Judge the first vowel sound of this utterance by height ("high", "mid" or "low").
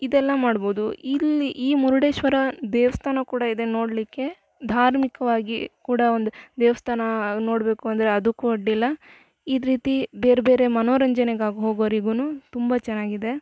high